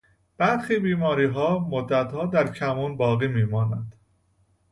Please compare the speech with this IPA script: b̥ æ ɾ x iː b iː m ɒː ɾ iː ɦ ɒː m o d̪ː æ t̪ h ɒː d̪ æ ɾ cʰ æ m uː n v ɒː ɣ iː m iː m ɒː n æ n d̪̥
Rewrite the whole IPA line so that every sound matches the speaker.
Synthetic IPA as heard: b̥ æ ɾ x iː b iː m ɒː ɾ iː ɦ ɒː m o d̪ː æ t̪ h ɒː d̪ æ ɾ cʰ æ m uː n b ɒː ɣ iː m iː m ɒː n æ n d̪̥